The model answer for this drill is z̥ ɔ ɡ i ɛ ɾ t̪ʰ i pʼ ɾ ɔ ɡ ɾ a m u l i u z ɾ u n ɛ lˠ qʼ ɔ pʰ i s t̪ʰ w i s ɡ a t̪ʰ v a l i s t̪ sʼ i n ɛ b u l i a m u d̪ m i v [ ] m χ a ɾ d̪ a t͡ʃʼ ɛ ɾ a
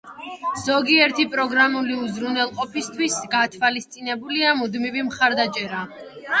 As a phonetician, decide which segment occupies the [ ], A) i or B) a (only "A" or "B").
A